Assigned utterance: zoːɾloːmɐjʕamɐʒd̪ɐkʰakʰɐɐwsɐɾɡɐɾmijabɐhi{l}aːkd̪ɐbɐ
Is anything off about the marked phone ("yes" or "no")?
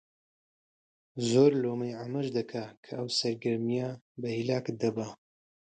no